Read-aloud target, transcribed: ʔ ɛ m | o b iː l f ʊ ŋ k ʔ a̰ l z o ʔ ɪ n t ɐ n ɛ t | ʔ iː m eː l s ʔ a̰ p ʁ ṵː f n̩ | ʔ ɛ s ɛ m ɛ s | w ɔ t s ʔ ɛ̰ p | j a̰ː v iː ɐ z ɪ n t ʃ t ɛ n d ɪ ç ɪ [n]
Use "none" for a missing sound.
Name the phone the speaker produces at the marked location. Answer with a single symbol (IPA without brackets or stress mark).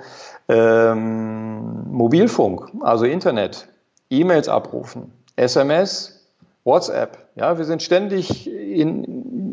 n